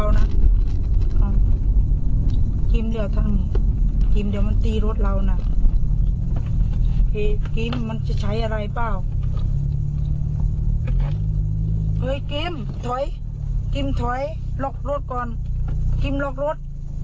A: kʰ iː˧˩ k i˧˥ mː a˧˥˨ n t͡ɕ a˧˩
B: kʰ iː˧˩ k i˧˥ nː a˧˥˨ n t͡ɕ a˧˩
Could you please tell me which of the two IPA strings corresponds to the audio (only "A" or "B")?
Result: A